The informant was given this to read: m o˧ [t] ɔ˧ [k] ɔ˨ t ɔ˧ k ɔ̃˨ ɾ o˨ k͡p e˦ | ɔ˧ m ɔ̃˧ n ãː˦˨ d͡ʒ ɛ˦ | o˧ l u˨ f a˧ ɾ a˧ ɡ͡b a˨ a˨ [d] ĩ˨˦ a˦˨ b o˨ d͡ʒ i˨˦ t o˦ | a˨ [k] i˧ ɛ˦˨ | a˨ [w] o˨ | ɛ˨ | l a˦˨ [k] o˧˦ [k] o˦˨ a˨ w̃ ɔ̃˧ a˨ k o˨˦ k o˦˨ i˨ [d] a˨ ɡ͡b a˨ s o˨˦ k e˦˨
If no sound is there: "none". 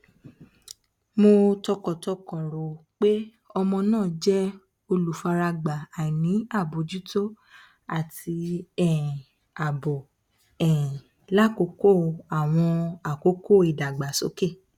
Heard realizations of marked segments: t, k, n, t, b, k, k, d

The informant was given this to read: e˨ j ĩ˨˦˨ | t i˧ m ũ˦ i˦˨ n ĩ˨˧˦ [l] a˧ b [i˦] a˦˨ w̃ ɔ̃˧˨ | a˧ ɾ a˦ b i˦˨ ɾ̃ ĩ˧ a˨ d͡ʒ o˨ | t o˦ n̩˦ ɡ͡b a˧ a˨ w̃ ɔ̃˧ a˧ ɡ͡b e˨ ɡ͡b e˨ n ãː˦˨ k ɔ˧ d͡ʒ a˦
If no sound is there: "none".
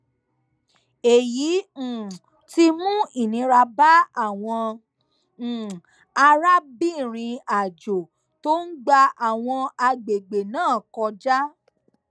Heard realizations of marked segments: ɾ, a˦

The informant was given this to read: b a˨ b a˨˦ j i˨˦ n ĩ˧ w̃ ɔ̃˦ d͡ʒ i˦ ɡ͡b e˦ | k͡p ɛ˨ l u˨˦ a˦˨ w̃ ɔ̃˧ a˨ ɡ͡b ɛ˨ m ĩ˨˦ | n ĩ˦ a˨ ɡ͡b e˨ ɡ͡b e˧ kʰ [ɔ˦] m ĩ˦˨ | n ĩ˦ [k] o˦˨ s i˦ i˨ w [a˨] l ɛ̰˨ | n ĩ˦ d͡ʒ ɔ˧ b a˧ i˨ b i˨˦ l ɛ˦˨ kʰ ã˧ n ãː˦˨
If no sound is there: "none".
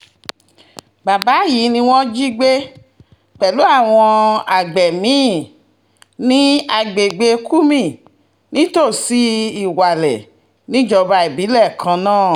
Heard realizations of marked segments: u˦, t, a˨

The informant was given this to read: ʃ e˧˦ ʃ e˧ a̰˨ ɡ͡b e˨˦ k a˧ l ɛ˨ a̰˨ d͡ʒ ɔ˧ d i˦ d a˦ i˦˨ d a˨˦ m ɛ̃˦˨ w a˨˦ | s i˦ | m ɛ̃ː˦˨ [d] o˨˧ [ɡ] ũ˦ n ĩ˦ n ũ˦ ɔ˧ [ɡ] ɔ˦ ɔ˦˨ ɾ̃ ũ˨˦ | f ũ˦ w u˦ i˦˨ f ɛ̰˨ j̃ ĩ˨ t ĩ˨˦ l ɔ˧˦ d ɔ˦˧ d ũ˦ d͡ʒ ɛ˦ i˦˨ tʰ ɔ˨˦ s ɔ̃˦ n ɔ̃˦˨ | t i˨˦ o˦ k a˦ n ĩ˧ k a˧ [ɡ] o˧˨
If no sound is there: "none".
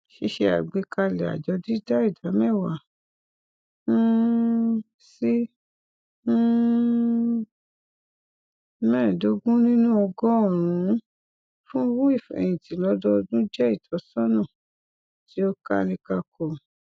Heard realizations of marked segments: d, ɡ, ɡ, k

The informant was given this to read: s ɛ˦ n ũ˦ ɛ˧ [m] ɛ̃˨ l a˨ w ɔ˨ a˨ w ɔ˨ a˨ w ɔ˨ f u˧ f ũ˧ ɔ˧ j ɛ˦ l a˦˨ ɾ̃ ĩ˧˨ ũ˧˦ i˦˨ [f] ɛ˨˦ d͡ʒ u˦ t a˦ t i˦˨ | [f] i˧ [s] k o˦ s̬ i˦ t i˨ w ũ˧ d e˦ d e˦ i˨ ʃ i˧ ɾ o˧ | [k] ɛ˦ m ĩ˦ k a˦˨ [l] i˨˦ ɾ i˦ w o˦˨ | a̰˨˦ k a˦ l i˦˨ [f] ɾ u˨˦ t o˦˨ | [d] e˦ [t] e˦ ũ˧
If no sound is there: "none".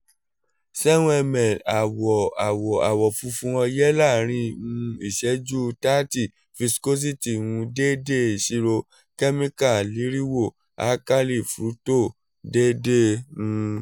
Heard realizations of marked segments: m, ʃ, f, s, k, l, f, d, d

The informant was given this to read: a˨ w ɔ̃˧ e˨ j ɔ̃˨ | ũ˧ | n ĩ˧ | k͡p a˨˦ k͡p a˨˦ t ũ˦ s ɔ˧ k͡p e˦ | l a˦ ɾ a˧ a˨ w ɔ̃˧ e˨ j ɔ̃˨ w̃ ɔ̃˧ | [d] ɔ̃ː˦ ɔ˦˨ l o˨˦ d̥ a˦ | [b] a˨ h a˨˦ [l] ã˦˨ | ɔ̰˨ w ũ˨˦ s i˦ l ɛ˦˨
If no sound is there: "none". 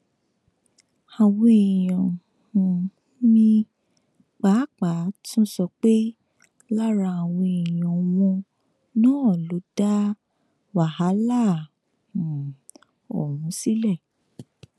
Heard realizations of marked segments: n, w, l

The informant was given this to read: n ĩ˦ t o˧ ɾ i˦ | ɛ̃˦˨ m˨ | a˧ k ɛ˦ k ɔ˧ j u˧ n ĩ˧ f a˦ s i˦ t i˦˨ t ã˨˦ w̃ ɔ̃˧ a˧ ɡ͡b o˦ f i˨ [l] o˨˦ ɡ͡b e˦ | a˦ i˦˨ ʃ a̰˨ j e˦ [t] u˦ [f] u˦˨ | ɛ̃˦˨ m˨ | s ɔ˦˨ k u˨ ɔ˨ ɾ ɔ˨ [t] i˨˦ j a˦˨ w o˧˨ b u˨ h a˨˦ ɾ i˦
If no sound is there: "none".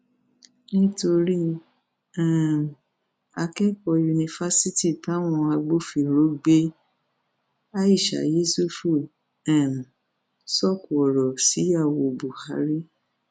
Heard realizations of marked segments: ɾ, s, f, s

